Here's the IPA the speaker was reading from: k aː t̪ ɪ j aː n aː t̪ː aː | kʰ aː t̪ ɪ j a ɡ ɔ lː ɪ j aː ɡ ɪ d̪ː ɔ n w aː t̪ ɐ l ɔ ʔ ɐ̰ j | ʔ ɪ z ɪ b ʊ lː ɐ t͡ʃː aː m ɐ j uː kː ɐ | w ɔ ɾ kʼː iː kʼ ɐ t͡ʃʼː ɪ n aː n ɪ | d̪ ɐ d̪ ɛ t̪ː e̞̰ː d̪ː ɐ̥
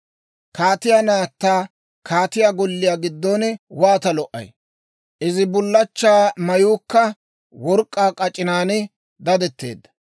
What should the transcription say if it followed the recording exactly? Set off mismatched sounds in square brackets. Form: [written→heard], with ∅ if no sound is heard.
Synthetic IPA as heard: k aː t̪ ɪ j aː n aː t̪ː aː | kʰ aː t̪ ɪ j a ɡ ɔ lː ɪ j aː ɡ ɪ d̪ː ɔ n w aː t̪ ɐ l ɔ ʔ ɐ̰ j | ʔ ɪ z ɪ b ʊ lː ɐ t͡ʃː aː m ɐ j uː kː ɐ | w ɔ ɾ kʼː [iː→aː] kʼ ɐ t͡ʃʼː ɪ n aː n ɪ | d̪ ɐ d̪ ɛ t̪ː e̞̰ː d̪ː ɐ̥